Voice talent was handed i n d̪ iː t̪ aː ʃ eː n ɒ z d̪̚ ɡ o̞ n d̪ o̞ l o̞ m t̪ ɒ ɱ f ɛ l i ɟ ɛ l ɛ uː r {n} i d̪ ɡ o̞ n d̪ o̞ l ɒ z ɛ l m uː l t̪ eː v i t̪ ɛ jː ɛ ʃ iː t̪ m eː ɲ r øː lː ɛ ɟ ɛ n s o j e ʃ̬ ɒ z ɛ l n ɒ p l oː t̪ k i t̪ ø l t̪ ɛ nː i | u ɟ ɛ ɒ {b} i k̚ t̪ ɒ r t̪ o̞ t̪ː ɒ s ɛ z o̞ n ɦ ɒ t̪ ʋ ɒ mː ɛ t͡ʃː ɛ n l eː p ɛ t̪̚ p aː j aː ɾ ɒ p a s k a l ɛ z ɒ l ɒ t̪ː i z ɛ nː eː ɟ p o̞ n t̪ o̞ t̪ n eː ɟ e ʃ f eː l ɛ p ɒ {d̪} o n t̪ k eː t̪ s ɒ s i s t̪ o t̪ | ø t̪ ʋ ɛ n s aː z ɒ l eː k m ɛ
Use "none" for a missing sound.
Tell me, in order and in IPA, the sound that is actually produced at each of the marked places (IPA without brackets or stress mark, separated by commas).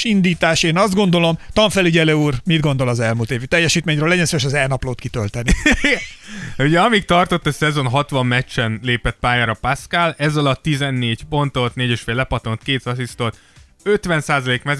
m, m, t̪